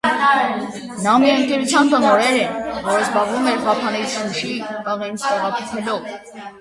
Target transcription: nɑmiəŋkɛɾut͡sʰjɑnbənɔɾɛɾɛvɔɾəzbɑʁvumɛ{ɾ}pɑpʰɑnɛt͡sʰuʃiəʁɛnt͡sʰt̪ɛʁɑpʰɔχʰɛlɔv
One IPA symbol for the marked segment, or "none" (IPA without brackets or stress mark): ɾ